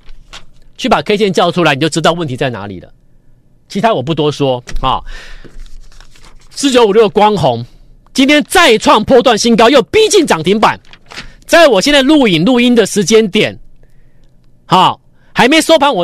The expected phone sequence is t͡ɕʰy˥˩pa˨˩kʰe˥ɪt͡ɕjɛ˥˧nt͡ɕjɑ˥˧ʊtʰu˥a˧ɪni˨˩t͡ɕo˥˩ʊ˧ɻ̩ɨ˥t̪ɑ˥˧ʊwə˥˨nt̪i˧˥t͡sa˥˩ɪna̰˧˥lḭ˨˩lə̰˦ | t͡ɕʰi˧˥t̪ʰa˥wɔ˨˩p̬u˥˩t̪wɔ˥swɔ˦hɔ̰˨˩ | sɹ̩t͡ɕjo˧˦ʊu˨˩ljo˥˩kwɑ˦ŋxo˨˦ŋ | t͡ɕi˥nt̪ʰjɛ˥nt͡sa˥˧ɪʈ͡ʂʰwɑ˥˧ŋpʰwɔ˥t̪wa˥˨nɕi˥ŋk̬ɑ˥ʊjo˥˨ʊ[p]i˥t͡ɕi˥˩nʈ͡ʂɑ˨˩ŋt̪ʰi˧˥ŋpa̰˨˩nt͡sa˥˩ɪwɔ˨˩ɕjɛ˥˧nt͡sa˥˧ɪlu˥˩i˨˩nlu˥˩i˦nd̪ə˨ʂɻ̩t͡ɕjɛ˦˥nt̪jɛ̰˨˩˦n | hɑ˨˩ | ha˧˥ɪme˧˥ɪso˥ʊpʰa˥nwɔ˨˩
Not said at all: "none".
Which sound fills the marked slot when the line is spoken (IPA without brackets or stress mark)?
p